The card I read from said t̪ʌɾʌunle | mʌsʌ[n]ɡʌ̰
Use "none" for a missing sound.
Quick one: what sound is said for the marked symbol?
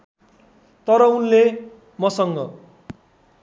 ŋ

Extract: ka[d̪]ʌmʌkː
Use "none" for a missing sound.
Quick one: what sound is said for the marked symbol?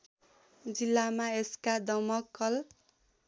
d̪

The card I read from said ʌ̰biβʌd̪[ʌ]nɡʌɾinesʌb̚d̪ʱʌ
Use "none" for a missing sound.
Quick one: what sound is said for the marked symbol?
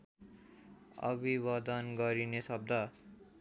ʌ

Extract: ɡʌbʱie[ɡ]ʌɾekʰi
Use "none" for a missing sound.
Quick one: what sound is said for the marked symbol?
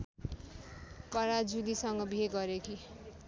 ɡ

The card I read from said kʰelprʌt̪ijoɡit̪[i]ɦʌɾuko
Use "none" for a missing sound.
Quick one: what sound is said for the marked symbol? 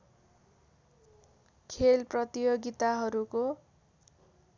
a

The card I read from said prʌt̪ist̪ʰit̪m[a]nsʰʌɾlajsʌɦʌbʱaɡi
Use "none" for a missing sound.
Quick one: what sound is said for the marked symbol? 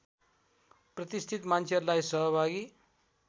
a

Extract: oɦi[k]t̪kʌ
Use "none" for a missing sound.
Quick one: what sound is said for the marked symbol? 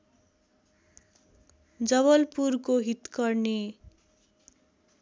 none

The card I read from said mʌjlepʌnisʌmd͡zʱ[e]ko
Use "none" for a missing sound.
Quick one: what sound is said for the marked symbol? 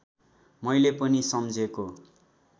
e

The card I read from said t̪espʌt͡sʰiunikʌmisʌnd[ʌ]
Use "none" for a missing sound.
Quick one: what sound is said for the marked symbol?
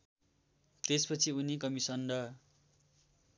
ʌ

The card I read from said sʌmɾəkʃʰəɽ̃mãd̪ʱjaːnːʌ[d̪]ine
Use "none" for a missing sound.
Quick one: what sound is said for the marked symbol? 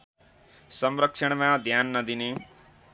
d̪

